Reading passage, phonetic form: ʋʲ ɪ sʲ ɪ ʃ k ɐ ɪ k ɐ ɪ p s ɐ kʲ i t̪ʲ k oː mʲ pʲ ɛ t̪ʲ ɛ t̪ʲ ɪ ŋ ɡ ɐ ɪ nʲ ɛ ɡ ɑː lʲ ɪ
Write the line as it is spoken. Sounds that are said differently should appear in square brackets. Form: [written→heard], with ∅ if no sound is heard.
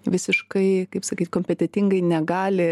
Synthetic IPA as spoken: ʋʲ ɪ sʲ ɪ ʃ k ɐ ɪ k ɐ ɪ p s ɐ kʲ i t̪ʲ k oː mʲ pʲ ɛ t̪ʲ ɛ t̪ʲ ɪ ŋ ɡ ɐ ɪ nʲ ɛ ɡ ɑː lʲ ɪ